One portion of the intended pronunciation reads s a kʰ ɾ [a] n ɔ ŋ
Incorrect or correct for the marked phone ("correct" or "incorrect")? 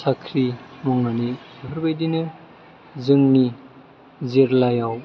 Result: incorrect